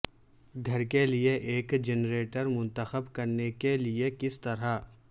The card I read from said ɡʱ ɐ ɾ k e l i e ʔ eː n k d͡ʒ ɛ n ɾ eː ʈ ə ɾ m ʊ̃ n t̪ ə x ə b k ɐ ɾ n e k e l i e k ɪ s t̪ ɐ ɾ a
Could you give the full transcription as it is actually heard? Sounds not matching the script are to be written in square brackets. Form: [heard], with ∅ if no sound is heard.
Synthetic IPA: ɡʱ ɐ ɾ k e l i e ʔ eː [∅] k d͡ʒ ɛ n ɾ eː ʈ ə ɾ m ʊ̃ n t̪ ə x ə b k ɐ ɾ n e k e l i e k ɪ s t̪ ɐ ɾ a